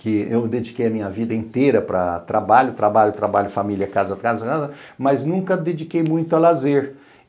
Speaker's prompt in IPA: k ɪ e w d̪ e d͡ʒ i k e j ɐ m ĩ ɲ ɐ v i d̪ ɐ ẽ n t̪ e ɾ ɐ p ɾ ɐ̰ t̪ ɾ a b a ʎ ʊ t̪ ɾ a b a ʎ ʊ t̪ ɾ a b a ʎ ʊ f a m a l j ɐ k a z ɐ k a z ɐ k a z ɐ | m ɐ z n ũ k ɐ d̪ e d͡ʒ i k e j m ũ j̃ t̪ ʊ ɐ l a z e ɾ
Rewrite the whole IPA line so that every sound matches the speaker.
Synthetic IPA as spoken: k ɪ e w d̪ e d͡ʒ i k e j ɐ m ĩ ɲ ɐ v i d̪ ɐ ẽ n t̪ e ɾ ɐ p ɾ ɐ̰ t̪ ɾ a b a ʎ ʊ t̪ ɾ a b a ʎ ʊ t̪ ɾ a b a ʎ ʊ f a m i l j ɐ k a z ɐ k a z ɐ k a z ɐ | m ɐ z n ũ k ɐ d̪ e d͡ʒ i k e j m ũ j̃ t̪ ʊ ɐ l a z e ɾ